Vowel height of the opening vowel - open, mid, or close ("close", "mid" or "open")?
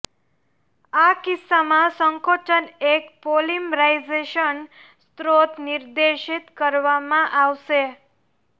open